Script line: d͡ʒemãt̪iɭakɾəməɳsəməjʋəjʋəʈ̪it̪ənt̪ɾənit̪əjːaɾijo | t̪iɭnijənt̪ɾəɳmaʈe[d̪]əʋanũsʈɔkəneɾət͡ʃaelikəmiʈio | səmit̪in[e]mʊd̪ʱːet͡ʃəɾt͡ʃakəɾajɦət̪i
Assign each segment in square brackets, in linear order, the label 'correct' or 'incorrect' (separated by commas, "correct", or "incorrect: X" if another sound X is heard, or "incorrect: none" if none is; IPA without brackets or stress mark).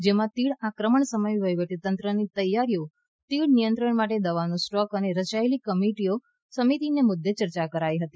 correct, correct